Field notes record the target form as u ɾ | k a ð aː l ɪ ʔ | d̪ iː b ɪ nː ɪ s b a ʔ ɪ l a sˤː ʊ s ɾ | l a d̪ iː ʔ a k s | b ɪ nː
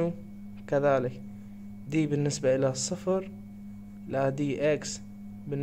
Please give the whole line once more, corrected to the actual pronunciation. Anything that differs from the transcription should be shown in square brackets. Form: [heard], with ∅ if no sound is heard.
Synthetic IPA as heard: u [∅] | k a ð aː l ɪ [k] | d̪ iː b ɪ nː ɪ s b a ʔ ɪ l a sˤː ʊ [f] ɾ | l a d̪ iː ʔ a k s | b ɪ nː